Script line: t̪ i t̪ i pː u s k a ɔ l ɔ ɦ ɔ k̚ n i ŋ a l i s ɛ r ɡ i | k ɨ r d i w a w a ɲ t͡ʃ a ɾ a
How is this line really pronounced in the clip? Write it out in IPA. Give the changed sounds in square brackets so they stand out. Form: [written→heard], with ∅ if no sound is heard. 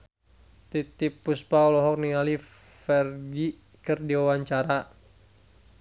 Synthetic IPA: t̪ i t̪ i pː u s [k→p] a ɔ l ɔ ɦ ɔ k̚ n i ŋ a l i [s→f] ɛ r ɡ i | k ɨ r d i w a w a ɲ t͡ʃ a ɾ a